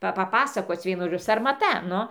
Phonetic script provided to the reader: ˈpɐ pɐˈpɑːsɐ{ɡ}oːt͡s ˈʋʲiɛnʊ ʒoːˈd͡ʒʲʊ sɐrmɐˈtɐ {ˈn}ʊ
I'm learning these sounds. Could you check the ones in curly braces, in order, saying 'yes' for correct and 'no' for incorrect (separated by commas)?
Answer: no, yes